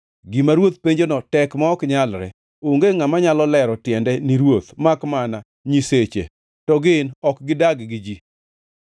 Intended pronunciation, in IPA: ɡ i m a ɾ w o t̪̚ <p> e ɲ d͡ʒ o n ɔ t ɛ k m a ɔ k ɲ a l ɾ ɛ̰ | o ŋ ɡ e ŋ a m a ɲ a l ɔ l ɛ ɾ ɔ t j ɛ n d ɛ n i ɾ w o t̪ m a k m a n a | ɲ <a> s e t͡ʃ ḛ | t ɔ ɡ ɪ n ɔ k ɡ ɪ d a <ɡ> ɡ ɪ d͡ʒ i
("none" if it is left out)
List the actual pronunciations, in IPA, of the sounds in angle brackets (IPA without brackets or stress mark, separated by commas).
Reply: p, i, ɡ